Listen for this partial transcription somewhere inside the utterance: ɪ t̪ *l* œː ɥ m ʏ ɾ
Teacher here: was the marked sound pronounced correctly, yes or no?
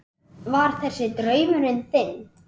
no